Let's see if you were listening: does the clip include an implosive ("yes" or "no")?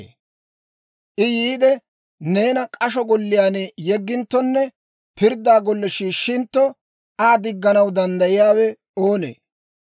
no